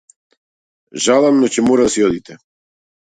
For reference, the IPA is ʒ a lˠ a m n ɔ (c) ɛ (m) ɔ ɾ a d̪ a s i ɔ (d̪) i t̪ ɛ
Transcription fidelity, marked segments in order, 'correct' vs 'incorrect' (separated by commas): correct, correct, correct